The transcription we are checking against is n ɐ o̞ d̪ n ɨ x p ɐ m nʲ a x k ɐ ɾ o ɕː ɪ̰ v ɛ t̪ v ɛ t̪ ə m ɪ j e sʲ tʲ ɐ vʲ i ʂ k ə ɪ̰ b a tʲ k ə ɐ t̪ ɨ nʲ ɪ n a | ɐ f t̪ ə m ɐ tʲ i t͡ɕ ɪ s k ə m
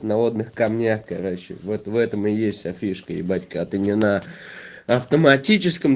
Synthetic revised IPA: n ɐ o̞ d̪ n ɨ x k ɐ m nʲ a x k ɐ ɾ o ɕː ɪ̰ v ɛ t̪ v ɛ t̪ ə m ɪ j e sʲ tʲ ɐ fʲ i ʂ k ə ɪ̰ b a tʲ k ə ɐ t̪ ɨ nʲ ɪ n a | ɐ f t̪ ə m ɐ tʲ i t͡ɕ ɪ s k ə m